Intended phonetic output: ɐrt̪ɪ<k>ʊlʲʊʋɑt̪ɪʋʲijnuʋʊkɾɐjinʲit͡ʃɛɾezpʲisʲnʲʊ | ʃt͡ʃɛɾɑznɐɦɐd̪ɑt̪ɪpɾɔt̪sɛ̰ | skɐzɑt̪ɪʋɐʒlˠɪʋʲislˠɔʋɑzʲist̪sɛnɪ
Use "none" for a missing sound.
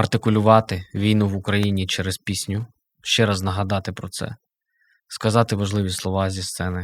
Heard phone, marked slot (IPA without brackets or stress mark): k